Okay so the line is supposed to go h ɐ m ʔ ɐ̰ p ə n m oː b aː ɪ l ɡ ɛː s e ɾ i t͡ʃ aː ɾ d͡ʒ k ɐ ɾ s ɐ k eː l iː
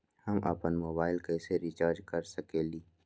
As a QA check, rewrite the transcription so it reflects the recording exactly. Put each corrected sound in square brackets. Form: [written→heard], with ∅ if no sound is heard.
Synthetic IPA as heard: h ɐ m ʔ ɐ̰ p ə n m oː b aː ɪ l [ɡ→k] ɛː s e ɾ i t͡ʃ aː ɾ d͡ʒ k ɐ ɾ s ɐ k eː l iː